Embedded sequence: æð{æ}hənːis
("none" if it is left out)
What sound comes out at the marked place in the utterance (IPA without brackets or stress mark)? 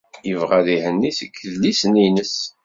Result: i